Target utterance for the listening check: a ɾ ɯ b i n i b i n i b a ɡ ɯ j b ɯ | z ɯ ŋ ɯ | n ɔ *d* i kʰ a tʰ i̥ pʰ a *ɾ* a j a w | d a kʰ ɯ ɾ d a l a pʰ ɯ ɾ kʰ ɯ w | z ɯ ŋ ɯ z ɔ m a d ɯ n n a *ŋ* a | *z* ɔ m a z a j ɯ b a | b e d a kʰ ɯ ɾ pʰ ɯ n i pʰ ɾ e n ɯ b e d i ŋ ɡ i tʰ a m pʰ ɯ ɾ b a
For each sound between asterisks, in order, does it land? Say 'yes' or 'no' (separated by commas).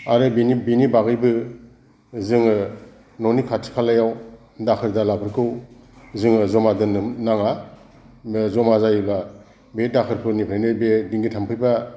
no, no, yes, yes